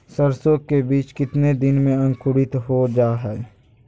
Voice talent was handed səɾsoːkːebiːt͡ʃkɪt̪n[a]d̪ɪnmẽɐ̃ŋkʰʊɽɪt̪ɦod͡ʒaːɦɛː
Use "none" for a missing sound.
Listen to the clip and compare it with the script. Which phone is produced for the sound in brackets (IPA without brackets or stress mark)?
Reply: e